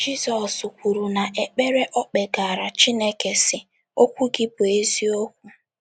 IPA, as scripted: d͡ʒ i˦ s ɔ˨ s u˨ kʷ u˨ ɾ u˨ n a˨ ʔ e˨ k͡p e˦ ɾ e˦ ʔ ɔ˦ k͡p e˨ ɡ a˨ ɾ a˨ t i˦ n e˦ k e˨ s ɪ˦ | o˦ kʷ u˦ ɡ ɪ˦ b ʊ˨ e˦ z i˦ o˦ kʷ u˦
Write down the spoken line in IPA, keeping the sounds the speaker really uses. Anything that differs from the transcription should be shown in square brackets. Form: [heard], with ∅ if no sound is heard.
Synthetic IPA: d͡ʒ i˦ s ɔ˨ s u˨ kʷ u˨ ɾ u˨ n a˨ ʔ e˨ k͡p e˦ ɾ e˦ ʔ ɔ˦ k͡p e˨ ɡ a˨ ɾ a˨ [t͡ʃ] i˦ n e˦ k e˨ s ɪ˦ | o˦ kʷ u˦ ɡ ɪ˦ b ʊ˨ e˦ z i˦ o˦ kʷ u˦

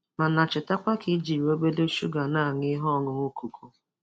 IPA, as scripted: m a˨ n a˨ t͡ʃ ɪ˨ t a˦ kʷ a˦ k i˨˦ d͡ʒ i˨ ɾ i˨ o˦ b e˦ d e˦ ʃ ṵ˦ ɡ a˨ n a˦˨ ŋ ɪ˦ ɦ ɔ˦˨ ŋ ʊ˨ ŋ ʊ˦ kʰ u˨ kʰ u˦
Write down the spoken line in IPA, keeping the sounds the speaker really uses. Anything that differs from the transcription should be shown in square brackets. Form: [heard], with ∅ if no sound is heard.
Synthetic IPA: m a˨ n a˨ t͡ʃ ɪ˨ t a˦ kʷ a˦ k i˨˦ d͡ʒ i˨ ɾ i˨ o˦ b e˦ d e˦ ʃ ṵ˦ ɡ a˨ n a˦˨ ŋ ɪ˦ ɦ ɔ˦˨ ŋ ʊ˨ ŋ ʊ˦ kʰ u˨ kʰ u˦

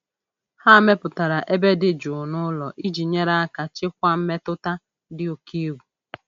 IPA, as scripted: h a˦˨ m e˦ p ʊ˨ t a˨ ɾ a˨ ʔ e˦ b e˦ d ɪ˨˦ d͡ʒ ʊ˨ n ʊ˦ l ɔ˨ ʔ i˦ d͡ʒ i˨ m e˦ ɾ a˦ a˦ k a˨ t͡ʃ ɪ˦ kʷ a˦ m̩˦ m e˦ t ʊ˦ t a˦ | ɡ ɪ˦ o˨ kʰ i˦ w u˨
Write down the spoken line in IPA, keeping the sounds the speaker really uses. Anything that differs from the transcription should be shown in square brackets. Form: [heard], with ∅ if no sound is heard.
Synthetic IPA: h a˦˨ m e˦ p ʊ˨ t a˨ ɾ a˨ ʔ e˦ b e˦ d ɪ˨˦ d͡ʒ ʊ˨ n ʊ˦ l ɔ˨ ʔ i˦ d͡ʒ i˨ [ɲ] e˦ ɾ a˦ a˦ k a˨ t͡ʃ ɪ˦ kʷ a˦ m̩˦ m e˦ t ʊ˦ t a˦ | [d] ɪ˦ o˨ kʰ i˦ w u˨

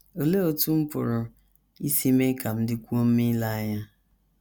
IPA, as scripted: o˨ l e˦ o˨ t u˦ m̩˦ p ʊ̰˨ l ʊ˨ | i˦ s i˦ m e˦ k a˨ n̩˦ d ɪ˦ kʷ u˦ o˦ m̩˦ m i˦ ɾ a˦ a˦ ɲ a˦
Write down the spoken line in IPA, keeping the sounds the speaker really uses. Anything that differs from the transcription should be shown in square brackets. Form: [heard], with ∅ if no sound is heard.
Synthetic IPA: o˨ l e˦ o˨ t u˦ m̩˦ p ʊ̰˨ [ɾ] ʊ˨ | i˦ s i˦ m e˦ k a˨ [m̩˦] d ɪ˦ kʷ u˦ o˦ m̩˦ m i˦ [l] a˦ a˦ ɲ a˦

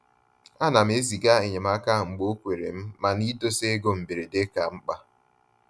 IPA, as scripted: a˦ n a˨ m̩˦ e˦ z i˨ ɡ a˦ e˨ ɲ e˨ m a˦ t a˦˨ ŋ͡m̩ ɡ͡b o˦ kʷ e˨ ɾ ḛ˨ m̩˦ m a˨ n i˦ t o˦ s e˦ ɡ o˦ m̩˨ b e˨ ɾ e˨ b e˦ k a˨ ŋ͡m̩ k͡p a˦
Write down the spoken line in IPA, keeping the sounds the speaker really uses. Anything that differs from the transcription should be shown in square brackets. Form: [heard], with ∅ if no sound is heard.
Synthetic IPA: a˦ n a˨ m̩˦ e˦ z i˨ ɡ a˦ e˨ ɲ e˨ m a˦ [k] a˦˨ ŋ͡m̩ ɡ͡b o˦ kʷ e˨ ɾ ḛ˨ m̩˦ m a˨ n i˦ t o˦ s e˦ ɡ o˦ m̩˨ b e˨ ɾ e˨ [d] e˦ k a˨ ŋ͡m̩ k͡p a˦

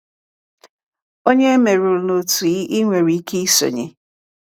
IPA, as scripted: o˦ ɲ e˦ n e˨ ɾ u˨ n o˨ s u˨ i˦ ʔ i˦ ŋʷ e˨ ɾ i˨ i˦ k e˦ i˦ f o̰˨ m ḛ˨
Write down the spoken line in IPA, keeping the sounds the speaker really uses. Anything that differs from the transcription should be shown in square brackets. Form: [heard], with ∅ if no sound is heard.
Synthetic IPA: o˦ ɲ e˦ [m] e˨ ɾ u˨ n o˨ [t] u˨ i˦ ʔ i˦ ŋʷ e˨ ɾ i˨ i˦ k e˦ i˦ [s] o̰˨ [ɲ] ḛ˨

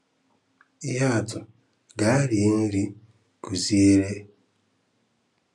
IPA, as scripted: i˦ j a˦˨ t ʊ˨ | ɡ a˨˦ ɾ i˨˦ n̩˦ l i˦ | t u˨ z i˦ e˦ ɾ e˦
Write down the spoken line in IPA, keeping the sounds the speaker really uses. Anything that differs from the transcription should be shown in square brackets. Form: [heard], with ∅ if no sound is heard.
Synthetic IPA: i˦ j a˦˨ t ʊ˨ | ɡ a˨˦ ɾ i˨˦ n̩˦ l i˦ | [k] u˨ z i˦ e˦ ɾ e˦

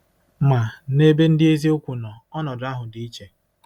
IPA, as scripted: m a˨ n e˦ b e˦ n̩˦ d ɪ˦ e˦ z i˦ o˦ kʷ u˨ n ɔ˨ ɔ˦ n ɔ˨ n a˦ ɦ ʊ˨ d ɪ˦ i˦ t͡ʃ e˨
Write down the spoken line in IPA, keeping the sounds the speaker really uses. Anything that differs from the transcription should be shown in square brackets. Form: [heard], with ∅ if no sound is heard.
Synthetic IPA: m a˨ n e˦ b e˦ n̩˦ d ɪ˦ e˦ z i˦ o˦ kʷ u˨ n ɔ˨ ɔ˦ n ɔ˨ [d] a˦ ɦ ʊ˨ d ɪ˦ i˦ t͡ʃ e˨

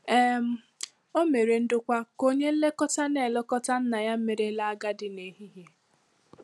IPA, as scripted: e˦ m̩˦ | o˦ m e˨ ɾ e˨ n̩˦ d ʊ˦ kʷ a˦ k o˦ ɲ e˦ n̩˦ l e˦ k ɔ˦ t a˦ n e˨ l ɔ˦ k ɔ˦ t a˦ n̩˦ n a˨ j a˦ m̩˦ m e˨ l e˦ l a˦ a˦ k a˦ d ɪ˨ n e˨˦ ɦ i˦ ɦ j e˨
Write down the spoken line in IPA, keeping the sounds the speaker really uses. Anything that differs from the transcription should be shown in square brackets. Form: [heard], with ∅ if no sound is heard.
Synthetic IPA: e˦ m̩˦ | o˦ m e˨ ɾ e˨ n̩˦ d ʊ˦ kʷ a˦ k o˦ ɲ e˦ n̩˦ l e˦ k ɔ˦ t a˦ n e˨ l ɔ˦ k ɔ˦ t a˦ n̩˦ n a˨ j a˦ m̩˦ m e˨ [ɾ] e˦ l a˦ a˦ [ɡ] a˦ d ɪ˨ n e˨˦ ɦ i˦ ɦ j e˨

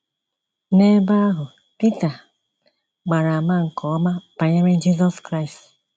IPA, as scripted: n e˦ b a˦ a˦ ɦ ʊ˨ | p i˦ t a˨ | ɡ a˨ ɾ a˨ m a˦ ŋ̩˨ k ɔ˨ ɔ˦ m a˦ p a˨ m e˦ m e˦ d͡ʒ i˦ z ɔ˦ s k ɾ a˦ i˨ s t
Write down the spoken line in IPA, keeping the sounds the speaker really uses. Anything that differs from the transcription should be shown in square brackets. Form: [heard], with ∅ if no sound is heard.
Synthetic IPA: n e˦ b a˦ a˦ ɦ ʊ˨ | p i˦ t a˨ | [ɡ͡b] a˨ ɾ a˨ m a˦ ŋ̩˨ k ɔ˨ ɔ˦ m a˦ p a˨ [ɲ] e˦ m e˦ d͡ʒ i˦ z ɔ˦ s k ɾ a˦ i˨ s t

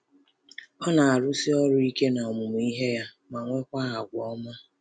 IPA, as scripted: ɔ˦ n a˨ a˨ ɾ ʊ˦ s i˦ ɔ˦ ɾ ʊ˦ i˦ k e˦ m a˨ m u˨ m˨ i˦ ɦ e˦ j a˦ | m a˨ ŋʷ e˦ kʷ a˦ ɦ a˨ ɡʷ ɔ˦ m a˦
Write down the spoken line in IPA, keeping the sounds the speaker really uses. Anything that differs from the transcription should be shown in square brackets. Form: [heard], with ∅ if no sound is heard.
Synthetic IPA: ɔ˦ n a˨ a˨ ɾ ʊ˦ s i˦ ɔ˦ ɾ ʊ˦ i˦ k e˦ [n] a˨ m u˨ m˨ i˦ ɦ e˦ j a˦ | m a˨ ŋʷ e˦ kʷ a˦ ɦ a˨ ɡʷ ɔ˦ m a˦

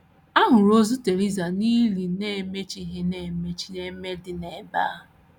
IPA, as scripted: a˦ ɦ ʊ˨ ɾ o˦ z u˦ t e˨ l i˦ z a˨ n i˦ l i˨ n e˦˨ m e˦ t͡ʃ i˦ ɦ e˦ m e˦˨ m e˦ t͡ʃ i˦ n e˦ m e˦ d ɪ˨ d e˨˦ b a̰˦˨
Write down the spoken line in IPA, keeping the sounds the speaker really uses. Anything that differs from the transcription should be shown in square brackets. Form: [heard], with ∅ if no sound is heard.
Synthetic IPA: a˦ ɦ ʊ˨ ɾ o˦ z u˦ t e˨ [ɾ] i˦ z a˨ n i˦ l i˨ n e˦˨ m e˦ t͡ʃ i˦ ɦ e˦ [n] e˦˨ m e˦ t͡ʃ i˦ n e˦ m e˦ d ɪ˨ [n] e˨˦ b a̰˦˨

